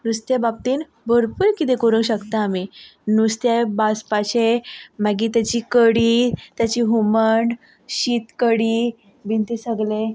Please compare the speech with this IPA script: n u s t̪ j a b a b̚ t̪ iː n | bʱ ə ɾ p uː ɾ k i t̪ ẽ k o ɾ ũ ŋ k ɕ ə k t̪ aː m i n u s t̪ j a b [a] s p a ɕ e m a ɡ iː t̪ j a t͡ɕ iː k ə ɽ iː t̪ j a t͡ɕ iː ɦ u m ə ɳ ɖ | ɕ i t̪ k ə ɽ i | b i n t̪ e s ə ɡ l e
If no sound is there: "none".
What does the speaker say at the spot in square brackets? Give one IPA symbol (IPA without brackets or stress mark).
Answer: a